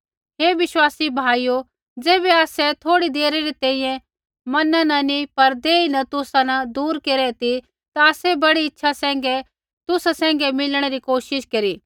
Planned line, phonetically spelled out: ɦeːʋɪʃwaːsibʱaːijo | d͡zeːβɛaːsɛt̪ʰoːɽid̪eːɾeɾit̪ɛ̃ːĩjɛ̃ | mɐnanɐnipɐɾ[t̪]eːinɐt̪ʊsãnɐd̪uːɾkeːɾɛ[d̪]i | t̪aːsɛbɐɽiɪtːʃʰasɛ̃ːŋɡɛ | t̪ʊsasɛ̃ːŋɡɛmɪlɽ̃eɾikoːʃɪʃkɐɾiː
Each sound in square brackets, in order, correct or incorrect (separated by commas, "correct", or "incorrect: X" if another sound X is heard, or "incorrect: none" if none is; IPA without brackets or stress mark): incorrect: d̪, incorrect: t̪